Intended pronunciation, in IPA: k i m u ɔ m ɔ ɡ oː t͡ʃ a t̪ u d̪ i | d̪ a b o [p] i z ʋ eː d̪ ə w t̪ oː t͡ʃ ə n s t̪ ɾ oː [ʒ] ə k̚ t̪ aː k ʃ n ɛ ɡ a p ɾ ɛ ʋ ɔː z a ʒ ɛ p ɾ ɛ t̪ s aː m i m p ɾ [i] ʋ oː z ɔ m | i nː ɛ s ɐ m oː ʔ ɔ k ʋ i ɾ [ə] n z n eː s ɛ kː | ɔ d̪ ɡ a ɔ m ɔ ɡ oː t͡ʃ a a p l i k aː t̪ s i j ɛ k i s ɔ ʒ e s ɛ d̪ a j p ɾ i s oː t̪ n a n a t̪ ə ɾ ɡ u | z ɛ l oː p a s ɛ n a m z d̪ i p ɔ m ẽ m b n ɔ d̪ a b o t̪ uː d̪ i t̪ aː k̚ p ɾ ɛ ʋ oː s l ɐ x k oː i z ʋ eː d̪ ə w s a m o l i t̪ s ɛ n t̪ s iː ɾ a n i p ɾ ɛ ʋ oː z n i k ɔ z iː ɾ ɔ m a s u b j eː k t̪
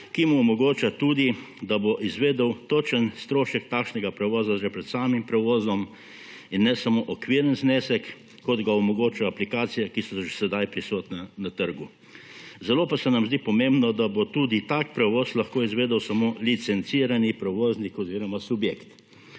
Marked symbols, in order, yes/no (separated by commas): no, no, no, yes